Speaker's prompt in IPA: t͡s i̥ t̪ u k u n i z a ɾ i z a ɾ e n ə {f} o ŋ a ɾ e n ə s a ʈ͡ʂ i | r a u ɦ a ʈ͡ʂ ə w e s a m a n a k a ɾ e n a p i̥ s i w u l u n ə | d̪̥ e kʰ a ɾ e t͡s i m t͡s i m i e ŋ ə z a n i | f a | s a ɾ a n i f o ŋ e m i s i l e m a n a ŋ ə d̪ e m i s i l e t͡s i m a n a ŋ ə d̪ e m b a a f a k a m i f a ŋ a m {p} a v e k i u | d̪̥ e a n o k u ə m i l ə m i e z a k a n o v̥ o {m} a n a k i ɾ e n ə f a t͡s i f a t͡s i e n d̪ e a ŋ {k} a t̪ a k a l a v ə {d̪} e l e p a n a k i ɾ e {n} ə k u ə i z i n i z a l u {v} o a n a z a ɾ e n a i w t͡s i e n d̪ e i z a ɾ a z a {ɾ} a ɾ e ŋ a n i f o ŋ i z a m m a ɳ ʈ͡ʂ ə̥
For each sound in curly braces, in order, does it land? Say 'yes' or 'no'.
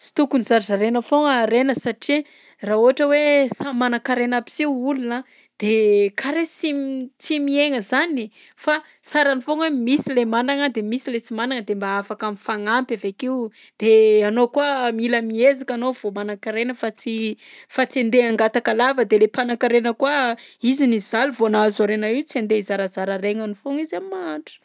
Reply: yes, yes, yes, no, yes, yes, yes, yes

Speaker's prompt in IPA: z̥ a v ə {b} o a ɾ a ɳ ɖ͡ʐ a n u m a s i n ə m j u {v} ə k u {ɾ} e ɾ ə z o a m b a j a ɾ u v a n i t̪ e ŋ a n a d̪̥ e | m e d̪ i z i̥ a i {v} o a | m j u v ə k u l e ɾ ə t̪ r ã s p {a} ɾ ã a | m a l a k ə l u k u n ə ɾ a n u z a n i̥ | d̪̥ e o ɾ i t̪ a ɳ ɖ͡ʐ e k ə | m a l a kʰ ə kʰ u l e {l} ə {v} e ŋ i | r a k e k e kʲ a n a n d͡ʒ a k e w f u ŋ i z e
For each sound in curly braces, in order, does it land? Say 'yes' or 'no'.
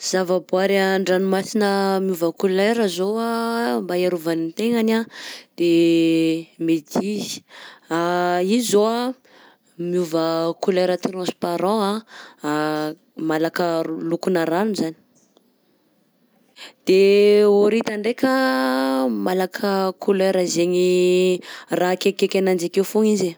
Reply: yes, yes, no, no, yes, no, no

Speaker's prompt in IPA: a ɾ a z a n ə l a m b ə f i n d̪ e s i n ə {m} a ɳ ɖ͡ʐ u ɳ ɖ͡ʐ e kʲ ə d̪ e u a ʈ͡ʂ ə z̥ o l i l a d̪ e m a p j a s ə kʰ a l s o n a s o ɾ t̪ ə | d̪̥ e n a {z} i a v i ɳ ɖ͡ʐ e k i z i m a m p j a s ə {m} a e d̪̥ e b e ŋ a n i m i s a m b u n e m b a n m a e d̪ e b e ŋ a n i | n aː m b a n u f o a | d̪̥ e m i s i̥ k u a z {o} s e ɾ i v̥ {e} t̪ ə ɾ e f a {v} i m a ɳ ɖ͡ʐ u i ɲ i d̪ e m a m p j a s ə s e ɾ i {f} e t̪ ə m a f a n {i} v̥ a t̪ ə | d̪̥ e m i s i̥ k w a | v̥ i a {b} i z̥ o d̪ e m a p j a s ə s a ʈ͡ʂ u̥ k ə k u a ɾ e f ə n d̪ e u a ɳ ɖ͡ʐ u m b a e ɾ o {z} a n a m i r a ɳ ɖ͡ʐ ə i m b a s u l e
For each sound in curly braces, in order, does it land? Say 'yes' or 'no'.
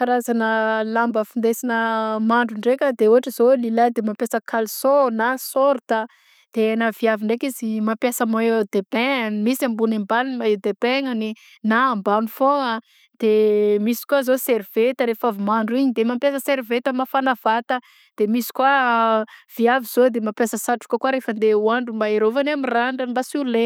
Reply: yes, no, yes, yes, yes, yes, no, no, no, no

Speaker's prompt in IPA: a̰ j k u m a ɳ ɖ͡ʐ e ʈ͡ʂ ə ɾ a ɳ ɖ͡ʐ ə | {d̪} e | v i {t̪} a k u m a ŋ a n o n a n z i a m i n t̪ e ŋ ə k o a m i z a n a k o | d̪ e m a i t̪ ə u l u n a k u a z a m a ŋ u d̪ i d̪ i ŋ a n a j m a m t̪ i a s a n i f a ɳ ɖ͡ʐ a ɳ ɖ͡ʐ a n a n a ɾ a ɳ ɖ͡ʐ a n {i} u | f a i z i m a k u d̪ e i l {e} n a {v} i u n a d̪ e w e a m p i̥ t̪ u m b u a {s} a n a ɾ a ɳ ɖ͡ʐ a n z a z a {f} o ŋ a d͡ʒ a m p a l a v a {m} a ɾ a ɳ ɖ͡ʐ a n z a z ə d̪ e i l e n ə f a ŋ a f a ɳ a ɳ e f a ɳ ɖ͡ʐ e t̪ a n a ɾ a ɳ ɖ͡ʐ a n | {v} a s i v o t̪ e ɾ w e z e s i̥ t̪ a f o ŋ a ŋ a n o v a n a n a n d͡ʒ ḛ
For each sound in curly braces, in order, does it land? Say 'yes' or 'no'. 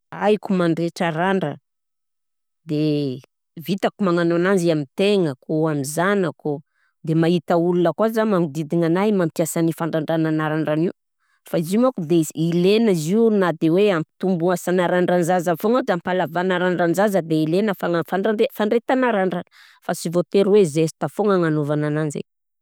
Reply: yes, yes, yes, yes, no, yes, yes, no, no

